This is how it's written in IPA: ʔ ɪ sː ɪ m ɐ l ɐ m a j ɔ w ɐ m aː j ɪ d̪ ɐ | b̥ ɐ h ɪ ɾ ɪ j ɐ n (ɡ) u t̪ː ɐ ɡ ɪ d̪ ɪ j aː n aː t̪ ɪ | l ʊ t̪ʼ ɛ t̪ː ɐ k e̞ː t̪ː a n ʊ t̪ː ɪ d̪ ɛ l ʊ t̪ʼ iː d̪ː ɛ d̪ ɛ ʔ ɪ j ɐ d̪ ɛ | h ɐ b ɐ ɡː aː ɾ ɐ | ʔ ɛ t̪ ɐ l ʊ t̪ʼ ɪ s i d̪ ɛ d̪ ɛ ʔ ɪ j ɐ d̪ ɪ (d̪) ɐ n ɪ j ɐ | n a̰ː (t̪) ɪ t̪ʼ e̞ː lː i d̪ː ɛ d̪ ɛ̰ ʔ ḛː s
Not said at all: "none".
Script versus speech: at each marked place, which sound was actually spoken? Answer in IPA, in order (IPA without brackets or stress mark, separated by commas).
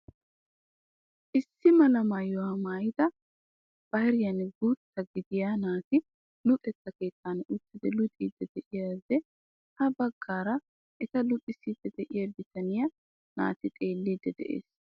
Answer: ɡ, t̪, t̪